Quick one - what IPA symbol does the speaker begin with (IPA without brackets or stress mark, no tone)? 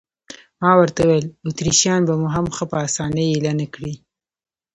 m